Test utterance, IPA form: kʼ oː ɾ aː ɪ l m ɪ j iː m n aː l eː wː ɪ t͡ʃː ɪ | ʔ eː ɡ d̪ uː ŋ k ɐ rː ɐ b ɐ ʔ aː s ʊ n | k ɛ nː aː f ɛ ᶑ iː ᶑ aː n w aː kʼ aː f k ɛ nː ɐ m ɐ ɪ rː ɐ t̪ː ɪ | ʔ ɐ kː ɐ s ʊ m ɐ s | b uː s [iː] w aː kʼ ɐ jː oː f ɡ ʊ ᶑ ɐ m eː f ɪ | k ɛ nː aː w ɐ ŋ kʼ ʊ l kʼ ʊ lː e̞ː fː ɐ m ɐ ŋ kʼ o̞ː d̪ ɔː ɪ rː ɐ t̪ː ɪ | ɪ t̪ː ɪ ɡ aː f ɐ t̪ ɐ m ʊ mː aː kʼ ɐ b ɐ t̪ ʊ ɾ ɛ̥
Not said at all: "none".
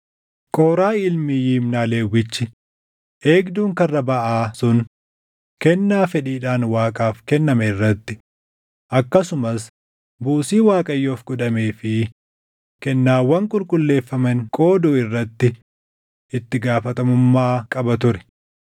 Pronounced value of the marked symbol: iː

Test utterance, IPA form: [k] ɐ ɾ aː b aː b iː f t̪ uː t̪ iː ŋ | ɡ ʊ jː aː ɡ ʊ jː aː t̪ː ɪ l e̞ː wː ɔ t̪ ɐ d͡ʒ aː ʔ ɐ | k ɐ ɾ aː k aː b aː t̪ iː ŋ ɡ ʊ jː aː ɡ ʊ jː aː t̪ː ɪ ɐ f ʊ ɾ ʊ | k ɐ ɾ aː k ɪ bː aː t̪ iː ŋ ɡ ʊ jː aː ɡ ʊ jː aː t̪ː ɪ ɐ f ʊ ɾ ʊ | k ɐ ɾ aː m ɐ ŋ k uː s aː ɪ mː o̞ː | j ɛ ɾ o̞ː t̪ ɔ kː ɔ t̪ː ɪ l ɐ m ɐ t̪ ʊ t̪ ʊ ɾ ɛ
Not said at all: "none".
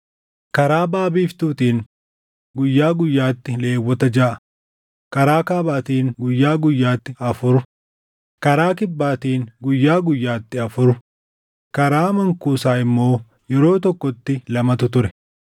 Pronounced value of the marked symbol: k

